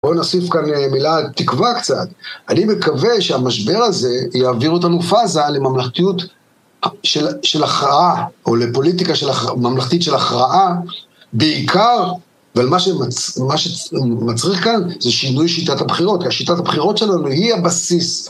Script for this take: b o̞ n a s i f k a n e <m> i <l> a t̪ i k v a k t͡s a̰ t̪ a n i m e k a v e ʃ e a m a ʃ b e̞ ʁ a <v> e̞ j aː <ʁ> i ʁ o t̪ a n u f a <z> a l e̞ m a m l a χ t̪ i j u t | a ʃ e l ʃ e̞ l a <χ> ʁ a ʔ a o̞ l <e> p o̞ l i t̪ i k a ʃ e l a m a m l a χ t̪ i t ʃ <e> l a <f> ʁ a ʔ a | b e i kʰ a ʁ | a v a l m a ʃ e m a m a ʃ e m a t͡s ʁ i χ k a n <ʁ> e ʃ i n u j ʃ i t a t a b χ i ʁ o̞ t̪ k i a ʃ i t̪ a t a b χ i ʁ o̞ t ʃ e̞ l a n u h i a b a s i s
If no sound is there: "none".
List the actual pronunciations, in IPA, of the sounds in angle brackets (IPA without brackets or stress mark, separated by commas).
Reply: m, l, z, v, z, χ, e, e, χ, z